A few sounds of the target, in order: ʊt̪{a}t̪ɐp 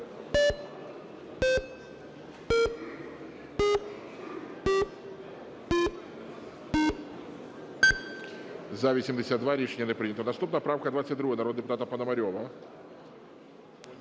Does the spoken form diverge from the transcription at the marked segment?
no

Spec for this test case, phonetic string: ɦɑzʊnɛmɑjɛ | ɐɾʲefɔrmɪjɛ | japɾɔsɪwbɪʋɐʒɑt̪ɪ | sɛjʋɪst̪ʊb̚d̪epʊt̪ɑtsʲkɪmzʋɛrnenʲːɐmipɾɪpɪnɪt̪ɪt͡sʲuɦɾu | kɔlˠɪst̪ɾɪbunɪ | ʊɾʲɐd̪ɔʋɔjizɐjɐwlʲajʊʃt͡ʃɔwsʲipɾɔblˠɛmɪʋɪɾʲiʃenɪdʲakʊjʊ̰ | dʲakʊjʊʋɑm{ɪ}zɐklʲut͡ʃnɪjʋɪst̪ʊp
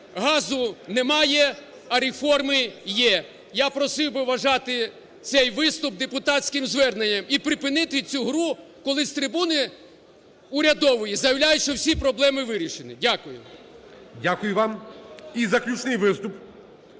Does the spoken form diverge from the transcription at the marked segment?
yes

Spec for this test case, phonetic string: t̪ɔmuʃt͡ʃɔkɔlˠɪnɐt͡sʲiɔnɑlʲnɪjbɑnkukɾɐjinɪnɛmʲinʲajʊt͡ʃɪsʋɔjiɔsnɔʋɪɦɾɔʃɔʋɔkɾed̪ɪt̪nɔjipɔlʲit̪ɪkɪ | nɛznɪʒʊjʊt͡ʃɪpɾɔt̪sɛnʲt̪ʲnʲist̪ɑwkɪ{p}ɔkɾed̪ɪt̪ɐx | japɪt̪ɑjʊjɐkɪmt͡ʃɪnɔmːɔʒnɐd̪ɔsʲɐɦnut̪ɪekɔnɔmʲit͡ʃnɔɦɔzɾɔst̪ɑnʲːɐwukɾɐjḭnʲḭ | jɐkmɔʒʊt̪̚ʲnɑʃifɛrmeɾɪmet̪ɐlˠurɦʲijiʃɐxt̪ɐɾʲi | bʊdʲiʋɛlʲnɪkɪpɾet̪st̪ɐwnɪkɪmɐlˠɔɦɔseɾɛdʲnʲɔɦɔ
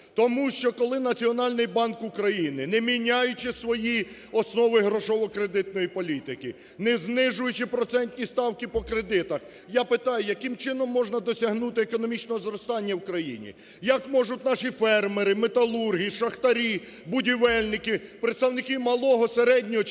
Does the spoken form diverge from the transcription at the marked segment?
no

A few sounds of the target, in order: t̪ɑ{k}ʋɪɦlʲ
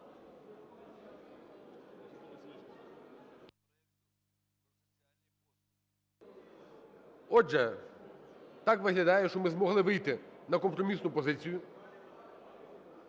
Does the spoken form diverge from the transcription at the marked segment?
no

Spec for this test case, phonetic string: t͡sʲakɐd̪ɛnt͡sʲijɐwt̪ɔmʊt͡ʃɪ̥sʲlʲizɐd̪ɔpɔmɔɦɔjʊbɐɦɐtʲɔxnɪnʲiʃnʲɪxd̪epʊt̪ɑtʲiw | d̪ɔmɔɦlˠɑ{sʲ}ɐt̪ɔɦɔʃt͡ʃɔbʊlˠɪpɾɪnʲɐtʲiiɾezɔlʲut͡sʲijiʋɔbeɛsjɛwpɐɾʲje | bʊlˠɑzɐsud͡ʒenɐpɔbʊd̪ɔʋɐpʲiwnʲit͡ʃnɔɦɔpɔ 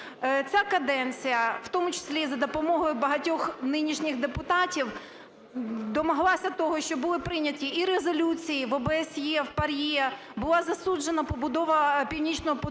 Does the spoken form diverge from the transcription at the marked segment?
no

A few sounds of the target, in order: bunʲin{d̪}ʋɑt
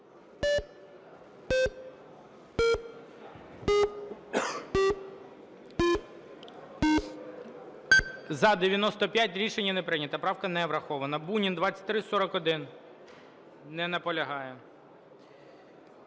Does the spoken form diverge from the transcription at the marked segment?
no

